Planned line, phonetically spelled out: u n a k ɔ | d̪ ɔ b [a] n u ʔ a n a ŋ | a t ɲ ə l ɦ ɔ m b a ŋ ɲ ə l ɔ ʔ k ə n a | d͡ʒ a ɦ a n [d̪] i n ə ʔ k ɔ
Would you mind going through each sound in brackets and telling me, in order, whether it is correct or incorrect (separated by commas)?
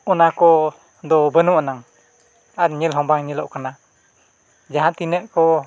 incorrect, incorrect